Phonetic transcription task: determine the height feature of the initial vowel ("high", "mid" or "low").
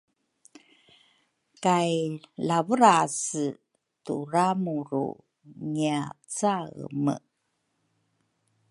low